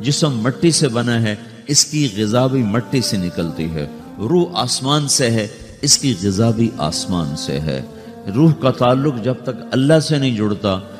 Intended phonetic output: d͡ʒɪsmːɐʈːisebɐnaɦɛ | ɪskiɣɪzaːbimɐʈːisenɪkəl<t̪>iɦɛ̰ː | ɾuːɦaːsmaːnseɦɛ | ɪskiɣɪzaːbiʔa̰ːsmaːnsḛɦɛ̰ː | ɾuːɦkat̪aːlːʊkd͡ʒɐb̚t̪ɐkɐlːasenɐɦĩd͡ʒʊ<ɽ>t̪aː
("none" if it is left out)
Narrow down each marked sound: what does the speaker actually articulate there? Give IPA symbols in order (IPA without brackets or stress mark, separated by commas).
t̪, ɽ